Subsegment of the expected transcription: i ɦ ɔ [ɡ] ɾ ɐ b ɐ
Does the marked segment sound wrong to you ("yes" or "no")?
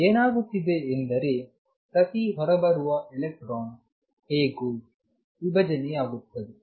yes